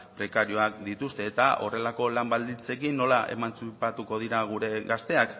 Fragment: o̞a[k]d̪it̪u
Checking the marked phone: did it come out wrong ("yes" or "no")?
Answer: no